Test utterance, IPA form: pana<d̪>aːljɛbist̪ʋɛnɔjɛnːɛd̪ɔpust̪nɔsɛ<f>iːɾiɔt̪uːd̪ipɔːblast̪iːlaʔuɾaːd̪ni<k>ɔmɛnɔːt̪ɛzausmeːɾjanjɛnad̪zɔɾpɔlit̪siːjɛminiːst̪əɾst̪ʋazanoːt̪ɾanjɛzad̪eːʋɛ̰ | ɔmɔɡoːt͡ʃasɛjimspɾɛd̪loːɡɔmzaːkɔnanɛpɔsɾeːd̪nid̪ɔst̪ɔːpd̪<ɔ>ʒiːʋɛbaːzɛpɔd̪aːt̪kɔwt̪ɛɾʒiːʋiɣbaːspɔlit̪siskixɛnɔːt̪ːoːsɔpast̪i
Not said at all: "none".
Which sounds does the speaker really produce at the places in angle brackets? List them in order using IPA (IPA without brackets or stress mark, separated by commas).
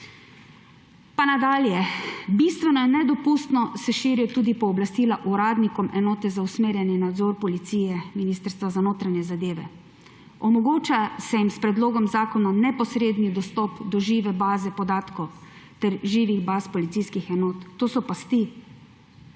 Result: d̪, ʃ, k, ɔ